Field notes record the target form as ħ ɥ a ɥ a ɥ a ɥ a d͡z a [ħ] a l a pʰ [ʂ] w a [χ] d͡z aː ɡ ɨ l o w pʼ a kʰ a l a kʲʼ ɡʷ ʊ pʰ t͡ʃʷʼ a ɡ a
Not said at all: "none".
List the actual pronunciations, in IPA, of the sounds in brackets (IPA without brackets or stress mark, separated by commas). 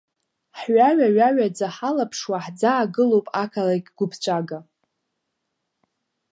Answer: ħ, ʂ, ħ